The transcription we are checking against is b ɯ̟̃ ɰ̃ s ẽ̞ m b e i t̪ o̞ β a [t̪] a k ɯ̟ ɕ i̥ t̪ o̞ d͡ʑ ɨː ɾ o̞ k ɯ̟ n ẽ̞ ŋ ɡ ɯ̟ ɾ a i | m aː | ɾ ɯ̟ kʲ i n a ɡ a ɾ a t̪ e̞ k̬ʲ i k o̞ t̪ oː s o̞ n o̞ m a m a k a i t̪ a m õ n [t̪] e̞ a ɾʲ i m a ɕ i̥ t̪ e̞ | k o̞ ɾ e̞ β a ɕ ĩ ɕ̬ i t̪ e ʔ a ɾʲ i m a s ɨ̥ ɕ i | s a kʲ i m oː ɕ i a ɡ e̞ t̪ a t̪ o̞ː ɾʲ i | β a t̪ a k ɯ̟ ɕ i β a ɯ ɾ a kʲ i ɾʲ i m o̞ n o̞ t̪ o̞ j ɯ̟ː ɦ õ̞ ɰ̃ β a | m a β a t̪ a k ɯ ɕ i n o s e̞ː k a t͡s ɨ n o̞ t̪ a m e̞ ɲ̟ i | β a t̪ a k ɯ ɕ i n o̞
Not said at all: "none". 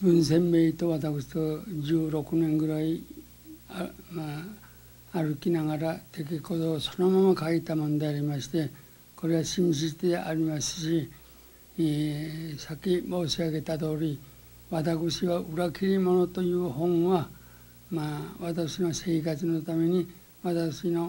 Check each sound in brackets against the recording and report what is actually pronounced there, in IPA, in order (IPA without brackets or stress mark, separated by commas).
t̪, d̪